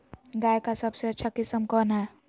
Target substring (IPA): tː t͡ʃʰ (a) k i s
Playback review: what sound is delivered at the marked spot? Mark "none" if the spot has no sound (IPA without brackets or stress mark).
a